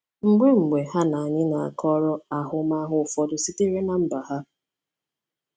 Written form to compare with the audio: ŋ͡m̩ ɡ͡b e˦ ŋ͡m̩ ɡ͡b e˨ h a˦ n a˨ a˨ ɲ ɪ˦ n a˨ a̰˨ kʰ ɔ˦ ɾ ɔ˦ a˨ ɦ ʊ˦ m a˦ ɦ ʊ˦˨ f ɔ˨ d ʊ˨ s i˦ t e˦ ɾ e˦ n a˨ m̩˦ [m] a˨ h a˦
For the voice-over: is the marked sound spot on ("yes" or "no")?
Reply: no